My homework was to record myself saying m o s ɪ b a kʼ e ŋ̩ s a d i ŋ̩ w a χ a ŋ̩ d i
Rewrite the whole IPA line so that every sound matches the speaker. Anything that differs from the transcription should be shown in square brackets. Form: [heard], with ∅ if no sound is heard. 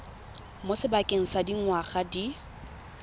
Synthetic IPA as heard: m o s ɪ b a kʼ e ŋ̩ s a d i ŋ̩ w a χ a [∅] d i